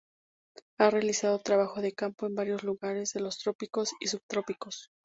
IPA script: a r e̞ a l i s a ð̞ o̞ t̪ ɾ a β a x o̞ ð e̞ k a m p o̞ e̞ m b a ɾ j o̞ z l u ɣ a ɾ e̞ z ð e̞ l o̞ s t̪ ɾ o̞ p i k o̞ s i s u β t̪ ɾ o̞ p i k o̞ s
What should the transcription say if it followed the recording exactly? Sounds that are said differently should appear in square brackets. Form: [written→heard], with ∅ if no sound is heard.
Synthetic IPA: a r e̞ a l i s a ð̞ o̞ t̪ ɾ a β a x o̞ ð e̞ k a m p o̞ e̞ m b a ɾ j o̞ z l u ɣ a ɾ e̞ z ð e̞ l o̞ s t̪ ɾ o̞ p i k o̞ s i s u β t̪ ɾ o̞ p i k o̞ s